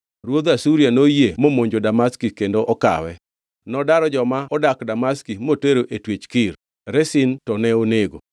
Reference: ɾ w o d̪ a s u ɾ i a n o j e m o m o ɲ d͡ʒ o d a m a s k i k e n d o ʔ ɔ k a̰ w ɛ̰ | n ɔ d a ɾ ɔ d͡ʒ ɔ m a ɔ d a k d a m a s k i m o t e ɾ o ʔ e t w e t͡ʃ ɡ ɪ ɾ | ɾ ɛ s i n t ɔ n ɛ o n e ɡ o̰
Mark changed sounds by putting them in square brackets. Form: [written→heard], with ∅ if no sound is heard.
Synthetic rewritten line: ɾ w o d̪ a s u ɾ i a n o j e m o m o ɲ d͡ʒ o d a m a s k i k e n d o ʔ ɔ k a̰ w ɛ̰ | n ɔ d a ɾ ɔ d͡ʒ ɔ m a ɔ d a k d a m a s k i m o t e ɾ o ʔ e t w e t͡ʃ [ɡ→k] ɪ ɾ | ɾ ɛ s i n t ɔ n ɛ o n e ɡ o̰